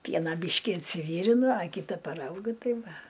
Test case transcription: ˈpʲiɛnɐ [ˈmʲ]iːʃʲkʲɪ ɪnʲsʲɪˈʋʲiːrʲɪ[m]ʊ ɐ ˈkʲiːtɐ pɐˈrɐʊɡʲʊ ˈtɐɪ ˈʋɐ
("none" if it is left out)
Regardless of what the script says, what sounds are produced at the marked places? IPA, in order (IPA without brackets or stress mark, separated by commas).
bʲ, n